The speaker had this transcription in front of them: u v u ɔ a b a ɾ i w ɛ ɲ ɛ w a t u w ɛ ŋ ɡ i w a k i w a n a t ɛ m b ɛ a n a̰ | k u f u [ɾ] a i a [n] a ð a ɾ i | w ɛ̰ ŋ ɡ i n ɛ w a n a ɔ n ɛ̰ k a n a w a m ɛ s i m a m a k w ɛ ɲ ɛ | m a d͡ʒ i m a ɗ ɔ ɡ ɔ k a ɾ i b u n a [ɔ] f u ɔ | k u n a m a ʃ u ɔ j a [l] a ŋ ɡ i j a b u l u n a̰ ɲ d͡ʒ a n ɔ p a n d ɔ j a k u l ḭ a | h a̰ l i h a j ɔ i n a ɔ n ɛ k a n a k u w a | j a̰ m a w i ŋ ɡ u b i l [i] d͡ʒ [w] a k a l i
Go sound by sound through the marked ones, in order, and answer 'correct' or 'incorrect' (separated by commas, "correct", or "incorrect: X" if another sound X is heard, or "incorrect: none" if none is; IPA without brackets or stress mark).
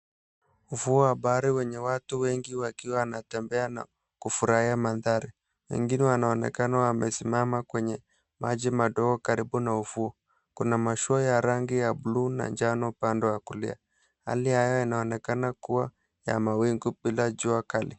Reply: correct, incorrect: m, incorrect: u, incorrect: ɾ, incorrect: a, incorrect: u